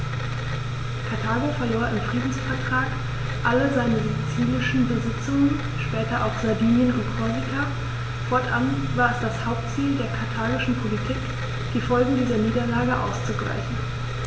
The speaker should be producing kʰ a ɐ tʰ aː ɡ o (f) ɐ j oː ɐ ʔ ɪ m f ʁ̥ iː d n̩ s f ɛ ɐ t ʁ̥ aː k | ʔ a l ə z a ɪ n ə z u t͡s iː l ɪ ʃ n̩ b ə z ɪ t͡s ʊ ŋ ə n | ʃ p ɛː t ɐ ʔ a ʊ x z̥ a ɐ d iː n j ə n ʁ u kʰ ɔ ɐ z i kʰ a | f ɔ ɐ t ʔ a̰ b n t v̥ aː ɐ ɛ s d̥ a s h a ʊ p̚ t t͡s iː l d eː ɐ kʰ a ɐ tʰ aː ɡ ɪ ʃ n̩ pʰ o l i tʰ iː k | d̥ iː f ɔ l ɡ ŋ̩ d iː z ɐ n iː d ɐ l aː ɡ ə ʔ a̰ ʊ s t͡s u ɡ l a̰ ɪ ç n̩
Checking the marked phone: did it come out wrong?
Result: no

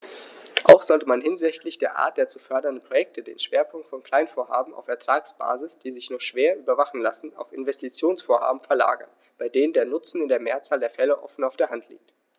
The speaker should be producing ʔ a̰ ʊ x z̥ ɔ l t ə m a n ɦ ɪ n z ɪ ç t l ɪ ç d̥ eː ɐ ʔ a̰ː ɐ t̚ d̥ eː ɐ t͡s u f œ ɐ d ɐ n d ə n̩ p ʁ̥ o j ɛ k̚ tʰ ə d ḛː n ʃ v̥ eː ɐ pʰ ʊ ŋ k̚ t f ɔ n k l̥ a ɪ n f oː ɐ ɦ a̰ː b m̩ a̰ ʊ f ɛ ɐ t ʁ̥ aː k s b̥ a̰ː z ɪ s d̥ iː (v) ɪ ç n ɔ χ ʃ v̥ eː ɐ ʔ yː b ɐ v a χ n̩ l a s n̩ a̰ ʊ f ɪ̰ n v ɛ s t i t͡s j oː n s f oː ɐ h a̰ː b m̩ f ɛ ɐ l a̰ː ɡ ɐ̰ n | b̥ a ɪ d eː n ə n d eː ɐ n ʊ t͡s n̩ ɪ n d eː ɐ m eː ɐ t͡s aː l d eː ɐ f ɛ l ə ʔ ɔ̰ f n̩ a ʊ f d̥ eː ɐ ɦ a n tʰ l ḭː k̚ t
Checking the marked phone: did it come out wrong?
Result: yes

